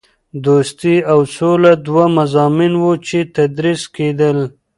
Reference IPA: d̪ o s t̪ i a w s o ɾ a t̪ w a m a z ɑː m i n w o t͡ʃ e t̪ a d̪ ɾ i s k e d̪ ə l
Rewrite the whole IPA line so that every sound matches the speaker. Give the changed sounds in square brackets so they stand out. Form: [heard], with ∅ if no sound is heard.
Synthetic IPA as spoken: d̪ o s t̪ i a w s o [l] a [d̪] w a m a z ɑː m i n w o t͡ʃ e t̪ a d̪ ɾ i s k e d̪ ə l